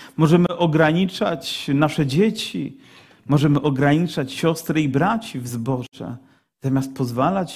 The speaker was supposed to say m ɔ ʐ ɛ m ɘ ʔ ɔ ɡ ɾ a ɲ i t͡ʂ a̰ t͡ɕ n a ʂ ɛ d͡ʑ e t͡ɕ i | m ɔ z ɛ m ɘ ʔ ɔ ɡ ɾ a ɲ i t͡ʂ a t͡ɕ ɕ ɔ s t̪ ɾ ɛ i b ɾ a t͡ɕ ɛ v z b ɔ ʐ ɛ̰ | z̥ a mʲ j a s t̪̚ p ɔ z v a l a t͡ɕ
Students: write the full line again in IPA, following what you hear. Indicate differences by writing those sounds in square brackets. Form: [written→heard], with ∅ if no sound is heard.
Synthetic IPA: m ɔ ʐ ɛ m ɘ ʔ ɔ ɡ ɾ a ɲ i t͡ʂ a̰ t͡ɕ n a ʂ ɛ d͡ʑ e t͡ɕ i | m ɔ [z→ʐ] ɛ m ɘ ʔ ɔ ɡ ɾ a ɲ i t͡ʂ a t͡ɕ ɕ ɔ s t̪ ɾ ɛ i b ɾ a t͡ɕ [ɛ→i] v z b ɔ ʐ ɛ̰ | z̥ a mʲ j a s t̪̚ p ɔ z v a l a t͡ɕ